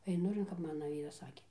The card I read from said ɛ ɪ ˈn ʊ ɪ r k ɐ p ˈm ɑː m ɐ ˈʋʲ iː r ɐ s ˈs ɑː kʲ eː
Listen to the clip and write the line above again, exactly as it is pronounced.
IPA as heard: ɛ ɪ ˈn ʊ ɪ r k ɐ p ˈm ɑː n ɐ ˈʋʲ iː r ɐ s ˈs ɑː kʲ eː